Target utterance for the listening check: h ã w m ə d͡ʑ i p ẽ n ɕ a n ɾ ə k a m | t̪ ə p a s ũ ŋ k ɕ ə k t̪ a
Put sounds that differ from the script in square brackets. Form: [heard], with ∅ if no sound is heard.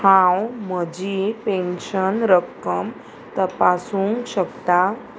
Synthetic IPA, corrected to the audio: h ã w m ə d͡ʑ i p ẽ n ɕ [ə] n ɾ ə k [ə] m | t̪ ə p a s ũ ŋ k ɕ ə k t̪ a